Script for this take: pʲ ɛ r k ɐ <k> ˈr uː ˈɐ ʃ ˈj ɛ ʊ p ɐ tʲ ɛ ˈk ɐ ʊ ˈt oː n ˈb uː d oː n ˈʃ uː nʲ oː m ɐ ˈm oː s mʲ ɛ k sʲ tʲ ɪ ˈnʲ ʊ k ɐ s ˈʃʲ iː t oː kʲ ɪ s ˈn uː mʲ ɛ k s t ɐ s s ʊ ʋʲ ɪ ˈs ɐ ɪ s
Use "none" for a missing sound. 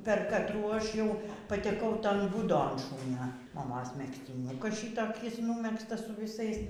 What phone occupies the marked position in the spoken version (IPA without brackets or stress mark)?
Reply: t